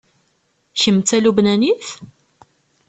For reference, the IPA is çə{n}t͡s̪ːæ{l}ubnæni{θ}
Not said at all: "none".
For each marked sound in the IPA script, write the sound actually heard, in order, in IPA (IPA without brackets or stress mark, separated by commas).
m, l, θ